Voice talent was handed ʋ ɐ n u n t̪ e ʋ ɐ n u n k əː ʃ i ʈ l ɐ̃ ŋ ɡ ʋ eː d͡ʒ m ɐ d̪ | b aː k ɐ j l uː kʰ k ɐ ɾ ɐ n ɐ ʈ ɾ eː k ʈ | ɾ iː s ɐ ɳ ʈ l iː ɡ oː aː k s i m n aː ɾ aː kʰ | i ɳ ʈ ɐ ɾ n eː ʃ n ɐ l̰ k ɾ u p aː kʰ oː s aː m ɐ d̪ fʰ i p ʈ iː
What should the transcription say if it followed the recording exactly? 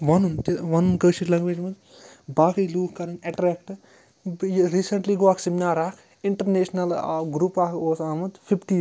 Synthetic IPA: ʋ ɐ n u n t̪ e ʋ ɐ n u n k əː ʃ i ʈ l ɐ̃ ŋ ɡ ʋ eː d͡ʒ m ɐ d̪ | b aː k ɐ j l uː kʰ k ɐ ɾ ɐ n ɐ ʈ ɾ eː k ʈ | ɾ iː s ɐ ɳ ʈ l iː ɡ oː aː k s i m n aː ɾ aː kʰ | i ɳ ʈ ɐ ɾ n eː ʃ n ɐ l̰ ɡ ɾ u p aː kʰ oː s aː m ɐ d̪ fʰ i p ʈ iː

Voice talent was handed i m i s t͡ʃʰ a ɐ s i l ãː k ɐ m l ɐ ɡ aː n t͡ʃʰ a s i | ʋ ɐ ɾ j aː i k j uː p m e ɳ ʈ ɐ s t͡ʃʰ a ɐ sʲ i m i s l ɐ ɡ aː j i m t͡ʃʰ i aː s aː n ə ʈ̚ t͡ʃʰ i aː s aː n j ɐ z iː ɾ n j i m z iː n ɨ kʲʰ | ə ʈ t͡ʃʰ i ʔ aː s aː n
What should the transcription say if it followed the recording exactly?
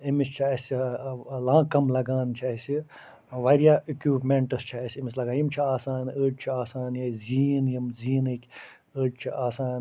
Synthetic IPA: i m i s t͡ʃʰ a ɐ s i l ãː k ɐ m l ɐ ɡ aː n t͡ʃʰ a s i | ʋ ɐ ɾ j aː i k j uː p m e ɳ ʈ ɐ s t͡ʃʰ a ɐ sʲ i m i s l ɐ ɡ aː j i m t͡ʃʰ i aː s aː n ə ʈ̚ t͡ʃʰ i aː s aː n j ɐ z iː n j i m z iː n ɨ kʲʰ | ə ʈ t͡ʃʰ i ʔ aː s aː n

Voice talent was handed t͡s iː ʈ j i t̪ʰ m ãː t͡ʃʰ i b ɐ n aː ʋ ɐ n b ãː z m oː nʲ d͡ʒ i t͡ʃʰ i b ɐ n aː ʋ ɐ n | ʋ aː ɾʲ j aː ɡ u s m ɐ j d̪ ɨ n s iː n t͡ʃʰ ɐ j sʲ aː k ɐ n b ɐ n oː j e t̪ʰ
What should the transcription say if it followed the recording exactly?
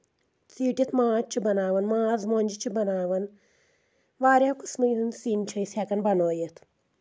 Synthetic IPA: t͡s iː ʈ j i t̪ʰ m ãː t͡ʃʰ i b ɐ n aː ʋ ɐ n m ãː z m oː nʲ d͡ʒ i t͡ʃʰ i b ɐ n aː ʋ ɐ n | ʋ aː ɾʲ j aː k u s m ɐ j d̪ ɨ n s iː n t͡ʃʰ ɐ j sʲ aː k ɐ n b ɐ n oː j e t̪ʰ

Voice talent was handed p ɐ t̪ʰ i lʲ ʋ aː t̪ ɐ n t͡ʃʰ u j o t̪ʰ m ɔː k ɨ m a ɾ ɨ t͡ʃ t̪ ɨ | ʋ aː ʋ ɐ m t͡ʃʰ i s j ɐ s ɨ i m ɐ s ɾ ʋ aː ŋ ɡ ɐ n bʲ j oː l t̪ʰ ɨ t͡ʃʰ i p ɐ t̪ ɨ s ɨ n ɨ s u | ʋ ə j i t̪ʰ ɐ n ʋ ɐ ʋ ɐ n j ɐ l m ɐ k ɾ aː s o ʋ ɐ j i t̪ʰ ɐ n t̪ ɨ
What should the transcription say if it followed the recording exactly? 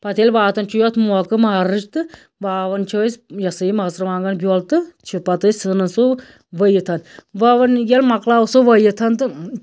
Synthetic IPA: p ɐ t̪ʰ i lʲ ʋ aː t̪ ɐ n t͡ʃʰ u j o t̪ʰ m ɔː k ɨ m a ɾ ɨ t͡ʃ t̪ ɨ | ʋ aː ʋ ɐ n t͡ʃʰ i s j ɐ s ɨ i m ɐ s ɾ ʋ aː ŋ ɡ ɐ n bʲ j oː l t̪ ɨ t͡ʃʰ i p ɐ t̪ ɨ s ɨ n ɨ s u | ʋ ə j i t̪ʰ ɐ n ʋ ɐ ʋ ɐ n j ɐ l m ɐ k l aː s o ʋ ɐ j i t̪ʰ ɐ n t̪ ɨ

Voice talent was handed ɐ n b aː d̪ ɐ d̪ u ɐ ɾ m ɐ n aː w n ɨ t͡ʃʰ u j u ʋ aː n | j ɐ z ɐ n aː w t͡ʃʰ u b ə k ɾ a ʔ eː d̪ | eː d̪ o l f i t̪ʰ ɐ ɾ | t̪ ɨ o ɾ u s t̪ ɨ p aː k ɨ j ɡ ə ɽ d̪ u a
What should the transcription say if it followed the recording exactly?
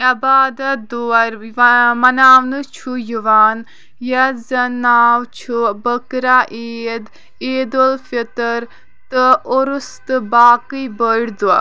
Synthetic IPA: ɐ b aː d̪ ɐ d̪ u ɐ ɾ m ɐ n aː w n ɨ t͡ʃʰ u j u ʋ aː n | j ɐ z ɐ n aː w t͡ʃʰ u b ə k ɾ a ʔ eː d̪ | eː d̪ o l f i t̪ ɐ ɾ | t̪ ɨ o ɾ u s t̪ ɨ b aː k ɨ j b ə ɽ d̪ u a

